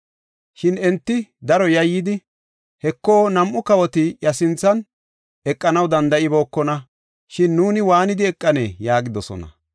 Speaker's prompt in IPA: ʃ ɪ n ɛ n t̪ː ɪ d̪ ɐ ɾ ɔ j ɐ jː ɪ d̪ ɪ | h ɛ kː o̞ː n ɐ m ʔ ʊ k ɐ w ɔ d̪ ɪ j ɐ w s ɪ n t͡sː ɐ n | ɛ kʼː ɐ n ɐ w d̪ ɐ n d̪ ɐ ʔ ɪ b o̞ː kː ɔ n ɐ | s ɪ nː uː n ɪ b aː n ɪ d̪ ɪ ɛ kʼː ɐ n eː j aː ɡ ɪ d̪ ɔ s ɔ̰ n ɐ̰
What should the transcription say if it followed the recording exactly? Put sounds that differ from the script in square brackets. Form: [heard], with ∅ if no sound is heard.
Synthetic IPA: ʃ ɪ n ɛ n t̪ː ɪ d̪ ɐ ɾ ɔ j ɐ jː ɪ d̪ ɪ | h ɛ kː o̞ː n ɐ m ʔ ʊ k ɐ w ɔ [t̪] ɪ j ɐ [∅] s ɪ n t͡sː ɐ n | ɛ kʼː ɐ n ɐ w d̪ ɐ n d̪ ɐ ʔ ɪ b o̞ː kː ɔ n ɐ | [ʃ] ɪ nː uː n ɪ [w] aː n ɪ d̪ ɪ ɛ kʼː ɐ n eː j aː ɡ ɪ d̪ ɔ s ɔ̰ n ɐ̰

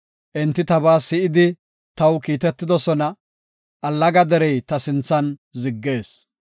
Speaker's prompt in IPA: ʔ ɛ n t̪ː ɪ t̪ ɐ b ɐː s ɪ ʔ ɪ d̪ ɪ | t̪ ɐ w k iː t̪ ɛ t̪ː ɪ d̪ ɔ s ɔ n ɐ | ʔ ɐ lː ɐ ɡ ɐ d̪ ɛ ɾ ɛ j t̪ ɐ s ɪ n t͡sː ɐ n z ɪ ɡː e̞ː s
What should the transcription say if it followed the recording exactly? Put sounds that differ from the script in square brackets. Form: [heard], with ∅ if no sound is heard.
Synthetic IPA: ʔ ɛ n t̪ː ɪ t̪ ɐ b [aː] s ɪ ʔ ɪ d̪ ɪ | t̪ ɐ w k iː t̪ ɛ t̪ː ɪ d̪ ɔ s ɔ n ɐ | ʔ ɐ lː ɐ ɡ ɐ d̪ ɛ ɾ ɛ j t̪ ɐ s ɪ n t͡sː ɐ n z ɪ ɡː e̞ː s

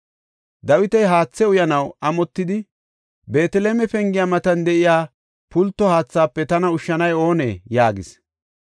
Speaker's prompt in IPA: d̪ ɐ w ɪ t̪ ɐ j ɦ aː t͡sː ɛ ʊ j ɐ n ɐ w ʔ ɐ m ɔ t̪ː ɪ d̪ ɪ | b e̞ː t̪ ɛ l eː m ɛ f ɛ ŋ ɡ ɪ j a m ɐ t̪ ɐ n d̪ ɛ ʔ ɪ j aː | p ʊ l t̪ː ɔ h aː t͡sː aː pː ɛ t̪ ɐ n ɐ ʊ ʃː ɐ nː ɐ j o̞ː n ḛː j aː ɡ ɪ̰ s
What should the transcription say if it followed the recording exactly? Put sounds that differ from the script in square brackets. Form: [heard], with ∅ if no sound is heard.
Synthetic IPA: d̪ ɐ w ɪ t̪ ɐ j ɦ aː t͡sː ɛ ʊ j ɐ n ɐ w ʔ ɐ m ɔ t̪ː ɪ d̪ ɪ | b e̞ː t̪ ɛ l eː m ɛ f ɛ ŋ ɡ ɪ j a m ɐ t̪ ɐ n d̪ ɛ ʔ ɪ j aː | p ʊ l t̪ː ɔ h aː t͡sː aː pː ɛ t̪ ɐ n ɐ ʊ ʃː ɐ [n] ɐ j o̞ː n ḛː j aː ɡ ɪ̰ s

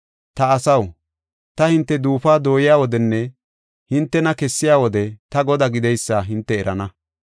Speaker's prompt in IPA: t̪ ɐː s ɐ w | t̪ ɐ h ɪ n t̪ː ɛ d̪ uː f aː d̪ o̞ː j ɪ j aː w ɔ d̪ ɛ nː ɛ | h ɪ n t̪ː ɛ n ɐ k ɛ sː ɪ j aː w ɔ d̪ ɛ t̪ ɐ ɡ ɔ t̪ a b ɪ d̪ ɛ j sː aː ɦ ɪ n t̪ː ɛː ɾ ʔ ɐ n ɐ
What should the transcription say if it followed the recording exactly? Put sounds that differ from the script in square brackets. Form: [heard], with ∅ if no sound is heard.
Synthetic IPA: t̪ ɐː s ɐ w | t̪ ɐ h ɪ n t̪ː ɛ d̪ uː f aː d̪ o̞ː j ɪ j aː w ɔ d̪ ɛ nː ɛ | h ɪ n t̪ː ɛ n ɐ k ɛ sː ɪ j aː w ɔ d̪ ɛ t̪ ɐ ɡ ɔ [d̪] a [ɡ] ɪ d̪ ɛ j sː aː ɦ ɪ n t̪ː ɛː ɾ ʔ ɐ n ɐ

